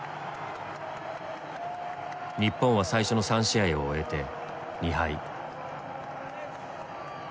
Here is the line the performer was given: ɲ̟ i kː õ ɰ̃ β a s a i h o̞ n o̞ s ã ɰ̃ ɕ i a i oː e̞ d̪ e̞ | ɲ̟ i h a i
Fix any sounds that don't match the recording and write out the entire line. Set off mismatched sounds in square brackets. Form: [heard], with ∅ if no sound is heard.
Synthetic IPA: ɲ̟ i [pː] õ ɰ̃ β a s a i [ɕ] o̞ n o̞ s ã ɰ̃ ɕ i a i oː e̞ [t̪] e̞ | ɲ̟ i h a i